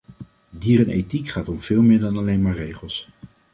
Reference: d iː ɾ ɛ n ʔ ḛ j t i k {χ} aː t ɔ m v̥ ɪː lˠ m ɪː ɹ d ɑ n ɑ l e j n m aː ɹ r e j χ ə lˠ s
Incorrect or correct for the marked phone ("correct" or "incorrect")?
correct